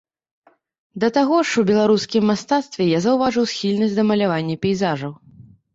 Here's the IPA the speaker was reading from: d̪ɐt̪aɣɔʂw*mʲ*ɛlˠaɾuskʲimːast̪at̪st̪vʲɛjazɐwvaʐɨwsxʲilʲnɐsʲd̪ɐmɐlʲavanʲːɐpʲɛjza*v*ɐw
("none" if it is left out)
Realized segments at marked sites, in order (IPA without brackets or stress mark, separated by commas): bʲ, ʐ